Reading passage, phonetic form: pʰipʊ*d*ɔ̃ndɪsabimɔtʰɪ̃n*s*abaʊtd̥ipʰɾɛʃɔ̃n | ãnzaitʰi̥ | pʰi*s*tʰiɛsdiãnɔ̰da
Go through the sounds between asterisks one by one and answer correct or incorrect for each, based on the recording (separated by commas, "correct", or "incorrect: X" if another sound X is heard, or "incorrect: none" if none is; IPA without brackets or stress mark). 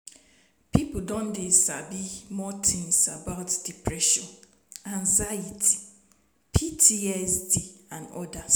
correct, correct, incorrect: none